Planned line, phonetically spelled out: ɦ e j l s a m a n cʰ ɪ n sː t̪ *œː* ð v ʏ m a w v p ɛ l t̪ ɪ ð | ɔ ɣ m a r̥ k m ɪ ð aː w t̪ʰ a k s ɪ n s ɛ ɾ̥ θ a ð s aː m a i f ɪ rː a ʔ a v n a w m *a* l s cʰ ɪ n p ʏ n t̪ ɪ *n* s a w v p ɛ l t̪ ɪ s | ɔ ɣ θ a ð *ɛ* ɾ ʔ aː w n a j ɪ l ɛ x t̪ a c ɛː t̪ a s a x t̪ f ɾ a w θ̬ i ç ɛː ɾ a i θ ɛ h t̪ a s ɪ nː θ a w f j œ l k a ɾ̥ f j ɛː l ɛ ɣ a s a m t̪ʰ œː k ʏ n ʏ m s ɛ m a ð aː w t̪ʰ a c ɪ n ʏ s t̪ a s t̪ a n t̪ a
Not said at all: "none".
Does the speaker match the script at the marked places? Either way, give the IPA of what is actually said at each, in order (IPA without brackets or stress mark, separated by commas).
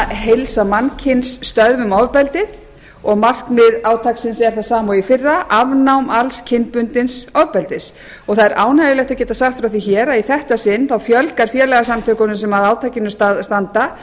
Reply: œ, a, n, ɛ